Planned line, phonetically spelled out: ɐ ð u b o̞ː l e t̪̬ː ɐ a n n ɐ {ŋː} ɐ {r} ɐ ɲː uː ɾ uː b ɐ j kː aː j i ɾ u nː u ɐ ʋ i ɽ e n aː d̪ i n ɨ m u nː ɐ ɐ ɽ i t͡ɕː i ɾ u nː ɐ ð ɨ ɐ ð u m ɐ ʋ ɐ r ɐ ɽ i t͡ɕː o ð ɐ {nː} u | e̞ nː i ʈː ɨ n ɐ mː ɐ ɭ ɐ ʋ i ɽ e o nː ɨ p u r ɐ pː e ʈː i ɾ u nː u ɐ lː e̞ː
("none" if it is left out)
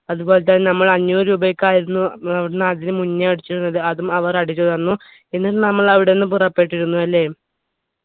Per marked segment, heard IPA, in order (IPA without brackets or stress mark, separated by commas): mː, ɭ, nː